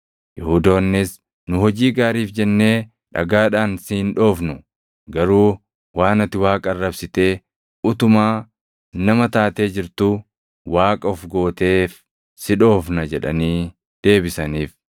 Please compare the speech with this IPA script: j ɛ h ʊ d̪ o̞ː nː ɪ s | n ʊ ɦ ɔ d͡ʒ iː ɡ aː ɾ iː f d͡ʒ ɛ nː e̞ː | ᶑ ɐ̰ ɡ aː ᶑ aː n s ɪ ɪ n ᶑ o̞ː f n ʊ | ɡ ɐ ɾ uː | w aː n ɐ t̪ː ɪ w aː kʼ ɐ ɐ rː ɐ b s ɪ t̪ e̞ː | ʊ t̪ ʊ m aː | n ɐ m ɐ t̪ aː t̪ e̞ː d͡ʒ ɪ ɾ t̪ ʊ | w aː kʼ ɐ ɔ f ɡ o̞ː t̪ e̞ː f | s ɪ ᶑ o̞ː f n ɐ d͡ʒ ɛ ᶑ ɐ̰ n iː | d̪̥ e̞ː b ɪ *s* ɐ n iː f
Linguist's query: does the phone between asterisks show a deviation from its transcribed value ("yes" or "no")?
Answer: no